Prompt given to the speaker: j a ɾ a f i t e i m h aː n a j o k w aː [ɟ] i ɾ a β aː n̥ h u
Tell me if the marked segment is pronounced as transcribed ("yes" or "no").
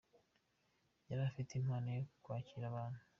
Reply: no